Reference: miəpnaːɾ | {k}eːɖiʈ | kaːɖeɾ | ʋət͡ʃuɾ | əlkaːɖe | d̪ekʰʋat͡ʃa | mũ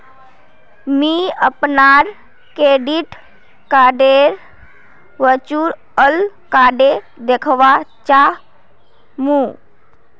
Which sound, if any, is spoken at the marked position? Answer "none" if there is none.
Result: k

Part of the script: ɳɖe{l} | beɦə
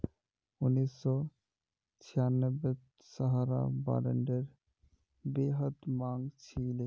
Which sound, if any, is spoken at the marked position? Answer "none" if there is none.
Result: ɾ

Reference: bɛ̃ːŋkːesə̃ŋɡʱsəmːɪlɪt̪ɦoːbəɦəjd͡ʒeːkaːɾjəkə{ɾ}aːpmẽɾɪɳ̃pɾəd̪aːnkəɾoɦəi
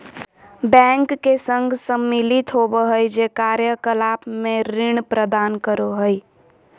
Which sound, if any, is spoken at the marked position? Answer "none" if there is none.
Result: l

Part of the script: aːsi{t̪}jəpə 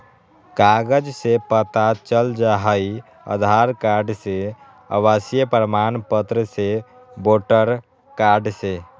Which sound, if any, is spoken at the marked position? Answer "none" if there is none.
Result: none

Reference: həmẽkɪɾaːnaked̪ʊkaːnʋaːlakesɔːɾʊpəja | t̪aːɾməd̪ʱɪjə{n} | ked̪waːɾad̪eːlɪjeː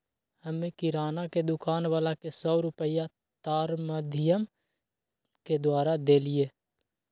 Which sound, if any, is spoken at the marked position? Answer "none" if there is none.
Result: m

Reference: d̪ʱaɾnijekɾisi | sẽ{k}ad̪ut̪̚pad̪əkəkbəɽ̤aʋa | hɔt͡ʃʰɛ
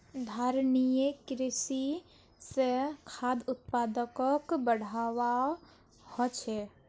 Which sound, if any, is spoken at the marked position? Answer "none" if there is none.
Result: kʰ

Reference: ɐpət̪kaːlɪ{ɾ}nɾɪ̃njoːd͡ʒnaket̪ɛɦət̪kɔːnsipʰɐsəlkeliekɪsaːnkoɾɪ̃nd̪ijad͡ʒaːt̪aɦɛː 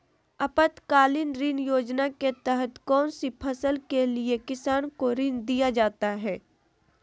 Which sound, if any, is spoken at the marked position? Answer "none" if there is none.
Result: none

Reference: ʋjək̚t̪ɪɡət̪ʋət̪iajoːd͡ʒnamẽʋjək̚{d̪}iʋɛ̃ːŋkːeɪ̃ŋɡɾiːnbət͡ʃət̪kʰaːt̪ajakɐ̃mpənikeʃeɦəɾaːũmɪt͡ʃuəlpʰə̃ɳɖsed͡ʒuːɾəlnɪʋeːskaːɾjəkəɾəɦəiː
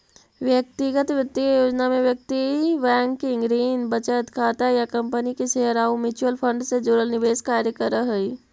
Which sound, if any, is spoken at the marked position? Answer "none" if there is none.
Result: t̪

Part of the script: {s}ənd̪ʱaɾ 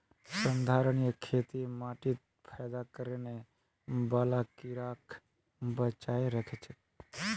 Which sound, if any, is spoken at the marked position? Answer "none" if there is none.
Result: s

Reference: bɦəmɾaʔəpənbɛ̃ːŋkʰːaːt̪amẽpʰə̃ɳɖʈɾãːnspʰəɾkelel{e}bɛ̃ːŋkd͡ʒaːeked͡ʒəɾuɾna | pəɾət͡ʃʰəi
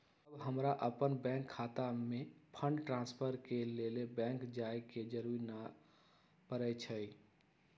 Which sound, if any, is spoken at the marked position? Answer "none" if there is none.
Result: e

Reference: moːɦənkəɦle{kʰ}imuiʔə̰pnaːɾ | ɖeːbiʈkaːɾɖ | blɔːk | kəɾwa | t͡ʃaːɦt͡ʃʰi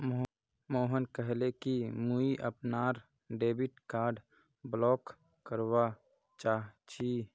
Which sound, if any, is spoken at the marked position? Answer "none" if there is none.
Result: k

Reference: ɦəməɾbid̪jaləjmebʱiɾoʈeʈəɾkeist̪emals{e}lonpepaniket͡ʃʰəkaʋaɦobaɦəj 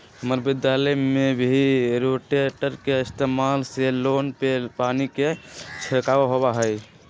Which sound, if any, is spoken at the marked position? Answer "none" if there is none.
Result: e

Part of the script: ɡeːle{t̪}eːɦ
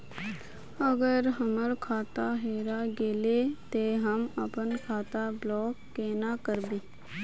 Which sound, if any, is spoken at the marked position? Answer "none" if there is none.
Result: t̪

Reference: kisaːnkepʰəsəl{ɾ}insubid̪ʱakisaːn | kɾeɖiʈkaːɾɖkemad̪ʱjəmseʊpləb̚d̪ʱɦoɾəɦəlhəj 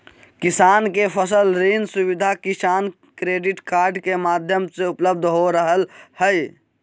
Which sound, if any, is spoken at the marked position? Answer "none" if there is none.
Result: ɾ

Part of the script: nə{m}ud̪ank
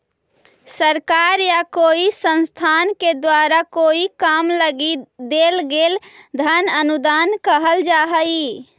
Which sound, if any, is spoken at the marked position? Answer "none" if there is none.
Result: n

